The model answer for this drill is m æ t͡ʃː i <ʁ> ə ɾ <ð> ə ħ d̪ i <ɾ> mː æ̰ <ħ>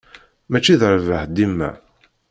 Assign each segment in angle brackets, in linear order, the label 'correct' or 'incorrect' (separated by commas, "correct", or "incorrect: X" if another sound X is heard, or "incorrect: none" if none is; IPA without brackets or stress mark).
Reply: incorrect: ð, incorrect: v, incorrect: none, incorrect: none